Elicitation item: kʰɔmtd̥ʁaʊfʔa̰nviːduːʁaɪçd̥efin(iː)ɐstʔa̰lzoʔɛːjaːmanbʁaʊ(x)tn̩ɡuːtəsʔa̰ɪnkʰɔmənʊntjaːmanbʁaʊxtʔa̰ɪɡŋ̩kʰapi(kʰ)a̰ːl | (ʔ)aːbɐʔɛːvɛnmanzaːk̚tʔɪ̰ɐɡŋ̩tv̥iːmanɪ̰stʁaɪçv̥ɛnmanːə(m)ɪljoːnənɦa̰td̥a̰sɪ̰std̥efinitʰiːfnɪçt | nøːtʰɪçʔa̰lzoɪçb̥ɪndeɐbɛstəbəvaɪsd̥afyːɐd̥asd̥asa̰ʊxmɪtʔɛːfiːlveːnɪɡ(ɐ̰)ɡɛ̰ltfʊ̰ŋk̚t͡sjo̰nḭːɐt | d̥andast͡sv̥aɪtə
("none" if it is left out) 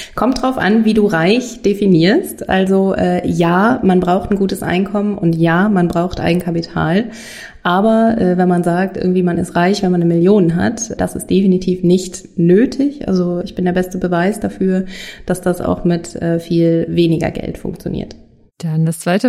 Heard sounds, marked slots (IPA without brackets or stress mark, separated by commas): iː, x, tʰ, ʔ, m, ɐ̰